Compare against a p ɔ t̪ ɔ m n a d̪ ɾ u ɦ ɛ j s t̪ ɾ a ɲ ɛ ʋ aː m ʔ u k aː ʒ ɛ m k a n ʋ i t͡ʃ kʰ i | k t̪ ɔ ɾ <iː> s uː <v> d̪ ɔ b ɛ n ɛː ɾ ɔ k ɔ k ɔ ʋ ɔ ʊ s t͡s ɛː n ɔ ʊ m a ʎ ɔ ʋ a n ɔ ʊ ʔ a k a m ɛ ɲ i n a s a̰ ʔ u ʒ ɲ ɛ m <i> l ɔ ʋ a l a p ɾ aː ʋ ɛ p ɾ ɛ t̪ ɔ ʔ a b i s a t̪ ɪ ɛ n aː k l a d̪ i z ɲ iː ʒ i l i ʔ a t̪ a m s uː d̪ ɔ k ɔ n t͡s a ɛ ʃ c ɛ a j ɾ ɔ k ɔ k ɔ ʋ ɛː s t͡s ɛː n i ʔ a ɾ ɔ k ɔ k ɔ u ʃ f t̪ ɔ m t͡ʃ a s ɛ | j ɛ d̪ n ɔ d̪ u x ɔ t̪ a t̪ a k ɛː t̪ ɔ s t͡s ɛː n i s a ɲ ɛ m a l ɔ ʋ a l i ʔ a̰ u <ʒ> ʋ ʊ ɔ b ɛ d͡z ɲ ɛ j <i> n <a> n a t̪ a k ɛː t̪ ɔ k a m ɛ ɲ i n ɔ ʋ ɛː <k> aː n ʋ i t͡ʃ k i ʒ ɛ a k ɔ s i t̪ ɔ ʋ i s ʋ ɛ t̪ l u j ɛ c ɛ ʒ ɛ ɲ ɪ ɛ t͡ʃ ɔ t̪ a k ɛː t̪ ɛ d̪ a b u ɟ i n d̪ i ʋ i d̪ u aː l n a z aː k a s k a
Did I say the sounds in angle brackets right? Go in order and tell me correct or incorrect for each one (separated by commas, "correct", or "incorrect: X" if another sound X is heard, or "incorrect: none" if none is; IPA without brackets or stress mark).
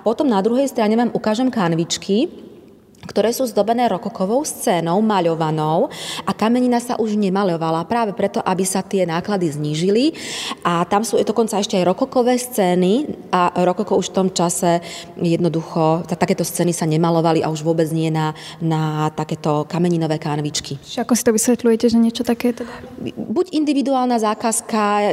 incorrect: ɛː, incorrect: z, incorrect: a, correct, incorrect: ɛ, correct, correct